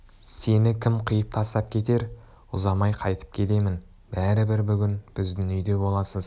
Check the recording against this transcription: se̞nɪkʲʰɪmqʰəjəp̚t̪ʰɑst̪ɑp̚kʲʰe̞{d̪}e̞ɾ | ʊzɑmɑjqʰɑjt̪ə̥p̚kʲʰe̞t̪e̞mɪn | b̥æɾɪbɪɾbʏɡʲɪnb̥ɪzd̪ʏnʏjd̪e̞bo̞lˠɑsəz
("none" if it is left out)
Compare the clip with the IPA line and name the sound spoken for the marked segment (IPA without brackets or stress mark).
t̪